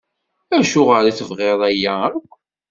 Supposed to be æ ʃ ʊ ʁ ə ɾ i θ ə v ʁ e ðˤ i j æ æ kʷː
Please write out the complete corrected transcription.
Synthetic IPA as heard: æ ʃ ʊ ʁ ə ɾ i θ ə v ʁ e ðˤ æ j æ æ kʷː